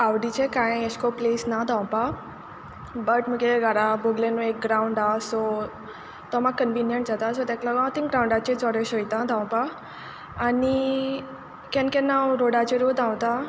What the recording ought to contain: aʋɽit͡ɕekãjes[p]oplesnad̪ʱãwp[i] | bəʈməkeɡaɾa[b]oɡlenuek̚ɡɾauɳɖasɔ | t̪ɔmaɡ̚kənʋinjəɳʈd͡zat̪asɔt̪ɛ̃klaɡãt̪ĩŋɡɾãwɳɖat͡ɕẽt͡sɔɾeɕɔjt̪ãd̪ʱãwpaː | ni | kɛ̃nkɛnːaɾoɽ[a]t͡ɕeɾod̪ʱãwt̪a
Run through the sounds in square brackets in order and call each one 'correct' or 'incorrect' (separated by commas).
incorrect, incorrect, correct, correct